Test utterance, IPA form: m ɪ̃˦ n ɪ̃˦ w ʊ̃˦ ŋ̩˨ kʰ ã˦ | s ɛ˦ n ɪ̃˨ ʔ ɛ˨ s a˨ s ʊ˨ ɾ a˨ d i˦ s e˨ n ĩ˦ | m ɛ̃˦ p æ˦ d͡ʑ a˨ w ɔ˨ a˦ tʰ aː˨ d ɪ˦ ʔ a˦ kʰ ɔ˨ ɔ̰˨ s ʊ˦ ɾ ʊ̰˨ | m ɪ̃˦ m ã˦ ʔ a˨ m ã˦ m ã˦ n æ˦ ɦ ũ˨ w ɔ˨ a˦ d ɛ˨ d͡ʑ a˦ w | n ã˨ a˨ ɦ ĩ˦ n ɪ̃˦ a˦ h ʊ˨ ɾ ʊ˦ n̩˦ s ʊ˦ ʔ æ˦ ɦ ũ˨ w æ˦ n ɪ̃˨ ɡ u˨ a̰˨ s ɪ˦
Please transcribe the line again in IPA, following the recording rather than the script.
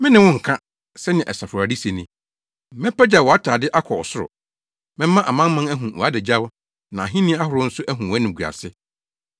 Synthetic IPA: m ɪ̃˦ n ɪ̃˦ w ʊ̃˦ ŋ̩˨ kʰ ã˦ | s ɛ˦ n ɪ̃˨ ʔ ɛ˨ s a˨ f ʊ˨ ɾ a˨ d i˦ s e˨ n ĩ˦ | m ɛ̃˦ p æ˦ d͡ʑ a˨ w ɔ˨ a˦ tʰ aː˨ d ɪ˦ ʔ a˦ kʰ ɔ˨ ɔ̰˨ s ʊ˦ ɾ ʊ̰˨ | m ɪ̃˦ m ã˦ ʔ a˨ m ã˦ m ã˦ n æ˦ ɦ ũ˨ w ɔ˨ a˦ d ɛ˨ d͡ʑ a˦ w | n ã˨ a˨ ɦ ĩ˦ n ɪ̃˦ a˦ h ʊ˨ ɾ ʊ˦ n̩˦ s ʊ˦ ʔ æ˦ ɦ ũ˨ w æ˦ n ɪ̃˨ ɡ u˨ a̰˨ s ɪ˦